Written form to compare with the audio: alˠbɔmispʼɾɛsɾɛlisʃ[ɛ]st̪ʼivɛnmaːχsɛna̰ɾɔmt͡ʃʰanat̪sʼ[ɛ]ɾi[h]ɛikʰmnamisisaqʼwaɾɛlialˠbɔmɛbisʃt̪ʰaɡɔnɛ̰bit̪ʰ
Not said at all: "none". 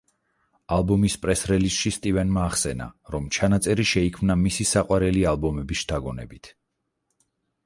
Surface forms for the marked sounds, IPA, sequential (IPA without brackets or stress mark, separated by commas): i, ɛ, ʃ